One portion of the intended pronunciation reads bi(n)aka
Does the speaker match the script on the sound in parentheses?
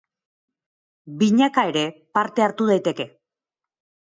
no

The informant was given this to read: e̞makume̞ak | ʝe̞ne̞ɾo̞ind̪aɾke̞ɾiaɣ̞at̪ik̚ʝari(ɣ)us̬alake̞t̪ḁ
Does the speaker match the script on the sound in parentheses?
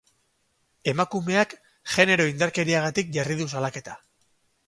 no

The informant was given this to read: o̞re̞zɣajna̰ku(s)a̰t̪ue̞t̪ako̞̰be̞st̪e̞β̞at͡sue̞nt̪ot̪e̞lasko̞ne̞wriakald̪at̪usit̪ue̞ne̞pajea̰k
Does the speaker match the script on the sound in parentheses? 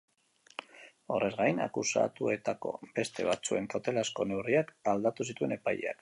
yes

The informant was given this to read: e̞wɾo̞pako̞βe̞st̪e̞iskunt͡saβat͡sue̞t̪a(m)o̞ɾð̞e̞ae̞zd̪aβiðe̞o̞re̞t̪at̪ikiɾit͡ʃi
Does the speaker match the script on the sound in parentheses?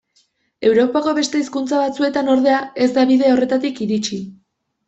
no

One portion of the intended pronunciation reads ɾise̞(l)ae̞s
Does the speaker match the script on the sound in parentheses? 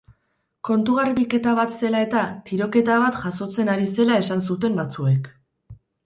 yes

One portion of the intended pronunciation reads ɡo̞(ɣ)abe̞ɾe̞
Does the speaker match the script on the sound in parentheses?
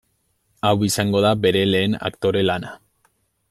no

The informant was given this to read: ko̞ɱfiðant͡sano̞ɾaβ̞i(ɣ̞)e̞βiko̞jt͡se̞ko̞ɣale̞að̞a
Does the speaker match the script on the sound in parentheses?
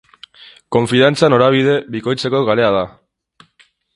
no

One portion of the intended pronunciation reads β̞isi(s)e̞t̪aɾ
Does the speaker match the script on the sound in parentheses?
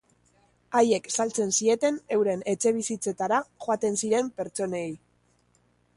no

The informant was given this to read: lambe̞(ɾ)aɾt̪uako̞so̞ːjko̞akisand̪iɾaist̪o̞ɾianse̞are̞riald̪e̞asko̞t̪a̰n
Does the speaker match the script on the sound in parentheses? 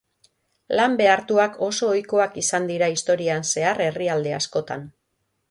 no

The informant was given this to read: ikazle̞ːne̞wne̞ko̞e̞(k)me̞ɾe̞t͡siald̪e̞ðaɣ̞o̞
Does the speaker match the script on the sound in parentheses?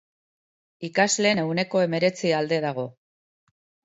no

